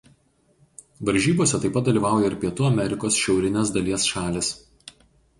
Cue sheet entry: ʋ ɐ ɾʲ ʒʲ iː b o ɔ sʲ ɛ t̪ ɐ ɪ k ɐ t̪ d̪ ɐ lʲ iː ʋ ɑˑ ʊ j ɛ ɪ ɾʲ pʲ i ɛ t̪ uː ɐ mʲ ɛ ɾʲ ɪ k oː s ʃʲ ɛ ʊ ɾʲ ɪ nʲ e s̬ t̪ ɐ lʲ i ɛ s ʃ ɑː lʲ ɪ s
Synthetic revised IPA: ʋ ɐ ɾʲ ʒʲ iː b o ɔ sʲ ɛ t̪ ɐ ɪ p ɐ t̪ d̪ ɐ lʲ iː ʋ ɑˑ ʊ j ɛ ɪ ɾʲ pʲ i ɛ t̪ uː ɐ mʲ ɛ ɾʲ ɪ k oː s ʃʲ ɛ ʊ ɾʲ ɪ nʲ e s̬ d̪ ɐ lʲ i ɛ s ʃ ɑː lʲ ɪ s